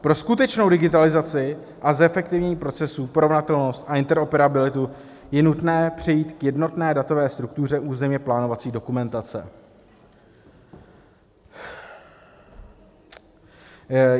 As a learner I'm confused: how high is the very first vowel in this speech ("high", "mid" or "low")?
mid